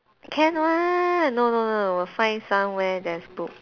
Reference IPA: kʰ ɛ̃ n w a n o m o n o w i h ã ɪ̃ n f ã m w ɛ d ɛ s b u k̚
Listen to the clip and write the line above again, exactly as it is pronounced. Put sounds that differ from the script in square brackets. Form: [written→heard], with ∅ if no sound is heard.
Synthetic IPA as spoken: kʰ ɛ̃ n w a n o [m→n] o n o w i [h→f] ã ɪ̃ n [f→s] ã m w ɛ d ɛ s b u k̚